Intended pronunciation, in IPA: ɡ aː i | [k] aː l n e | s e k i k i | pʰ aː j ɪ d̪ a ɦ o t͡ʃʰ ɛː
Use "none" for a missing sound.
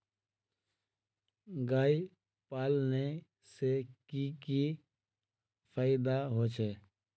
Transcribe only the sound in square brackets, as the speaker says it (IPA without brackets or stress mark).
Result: p